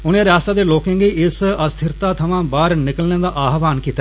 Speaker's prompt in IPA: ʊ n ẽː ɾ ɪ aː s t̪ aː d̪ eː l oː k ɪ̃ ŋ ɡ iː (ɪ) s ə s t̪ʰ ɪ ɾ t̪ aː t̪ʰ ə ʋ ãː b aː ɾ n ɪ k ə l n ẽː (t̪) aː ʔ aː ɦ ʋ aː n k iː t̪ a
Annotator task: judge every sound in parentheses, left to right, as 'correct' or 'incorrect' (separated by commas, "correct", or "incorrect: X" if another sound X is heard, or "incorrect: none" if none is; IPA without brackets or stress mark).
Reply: correct, incorrect: d̪